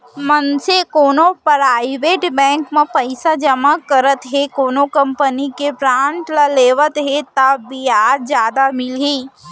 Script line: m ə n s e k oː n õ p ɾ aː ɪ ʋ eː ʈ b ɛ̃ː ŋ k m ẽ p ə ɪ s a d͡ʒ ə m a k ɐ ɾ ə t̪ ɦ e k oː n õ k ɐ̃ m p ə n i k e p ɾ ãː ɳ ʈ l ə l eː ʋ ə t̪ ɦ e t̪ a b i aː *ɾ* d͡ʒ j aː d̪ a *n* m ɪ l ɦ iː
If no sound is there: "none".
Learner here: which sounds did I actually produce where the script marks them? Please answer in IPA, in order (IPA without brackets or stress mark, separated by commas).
ɾ, none